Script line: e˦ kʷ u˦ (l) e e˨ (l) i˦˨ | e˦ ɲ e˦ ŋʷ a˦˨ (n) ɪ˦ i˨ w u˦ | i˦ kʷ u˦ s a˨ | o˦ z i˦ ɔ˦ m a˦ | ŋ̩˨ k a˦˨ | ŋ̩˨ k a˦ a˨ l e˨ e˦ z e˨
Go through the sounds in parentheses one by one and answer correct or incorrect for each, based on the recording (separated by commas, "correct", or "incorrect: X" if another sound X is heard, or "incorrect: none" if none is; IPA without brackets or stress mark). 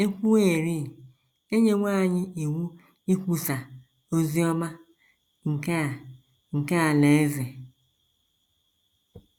incorrect: none, incorrect: ɾ, incorrect: ɲ